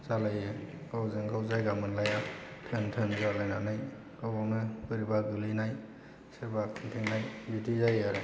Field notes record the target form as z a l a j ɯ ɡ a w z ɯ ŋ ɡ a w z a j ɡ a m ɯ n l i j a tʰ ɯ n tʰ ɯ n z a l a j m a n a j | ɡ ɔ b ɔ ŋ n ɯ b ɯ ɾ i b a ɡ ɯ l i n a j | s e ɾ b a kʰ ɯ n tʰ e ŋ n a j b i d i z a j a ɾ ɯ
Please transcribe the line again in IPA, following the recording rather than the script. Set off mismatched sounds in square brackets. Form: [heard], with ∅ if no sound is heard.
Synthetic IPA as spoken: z a l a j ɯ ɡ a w z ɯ ŋ ɡ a w z a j ɡ a m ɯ n l [a] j a tʰ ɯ n tʰ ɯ n z a l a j [n] a n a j | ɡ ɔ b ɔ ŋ n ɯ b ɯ ɾ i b a ɡ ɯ l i n a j | s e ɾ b a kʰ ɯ n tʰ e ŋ n a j b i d i z a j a ɾ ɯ